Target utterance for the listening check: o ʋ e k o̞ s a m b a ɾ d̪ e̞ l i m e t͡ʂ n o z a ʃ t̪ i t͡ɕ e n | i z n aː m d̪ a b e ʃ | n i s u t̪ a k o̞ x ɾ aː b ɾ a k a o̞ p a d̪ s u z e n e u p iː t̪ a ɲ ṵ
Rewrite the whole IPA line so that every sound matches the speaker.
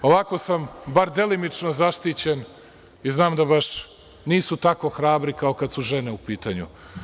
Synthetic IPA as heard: o ʋ a k o̞ s a m b a ɾ d̪ e̞ l i m i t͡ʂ n o z a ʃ t̪ i t͡ɕ e n | i z n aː m d̪ a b a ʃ | n iː s u t̪ a k o̞ x ɾ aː b ɾ i k a o̞ k a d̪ s u ʒ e n e u p iː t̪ a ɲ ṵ